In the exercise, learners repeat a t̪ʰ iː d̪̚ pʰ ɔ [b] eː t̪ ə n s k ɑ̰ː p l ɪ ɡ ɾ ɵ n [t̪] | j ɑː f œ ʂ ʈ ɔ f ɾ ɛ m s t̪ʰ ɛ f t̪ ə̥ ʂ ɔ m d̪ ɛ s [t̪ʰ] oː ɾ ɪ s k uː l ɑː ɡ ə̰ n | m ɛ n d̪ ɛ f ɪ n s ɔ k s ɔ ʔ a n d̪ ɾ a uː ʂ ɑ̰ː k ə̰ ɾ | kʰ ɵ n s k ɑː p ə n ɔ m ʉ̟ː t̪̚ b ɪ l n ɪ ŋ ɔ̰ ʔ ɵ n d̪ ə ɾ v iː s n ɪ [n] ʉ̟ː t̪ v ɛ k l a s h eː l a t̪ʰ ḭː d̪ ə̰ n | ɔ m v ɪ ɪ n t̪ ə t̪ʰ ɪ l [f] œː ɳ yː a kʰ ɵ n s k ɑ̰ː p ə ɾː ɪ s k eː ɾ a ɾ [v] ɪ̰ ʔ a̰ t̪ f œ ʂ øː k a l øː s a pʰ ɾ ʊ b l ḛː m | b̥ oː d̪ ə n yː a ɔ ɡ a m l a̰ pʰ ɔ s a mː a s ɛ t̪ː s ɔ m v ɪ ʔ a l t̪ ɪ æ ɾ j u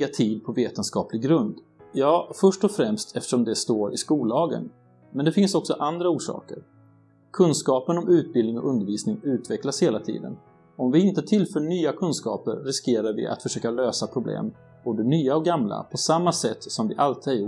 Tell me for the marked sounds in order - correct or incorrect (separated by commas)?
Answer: incorrect, incorrect, incorrect, incorrect, correct, correct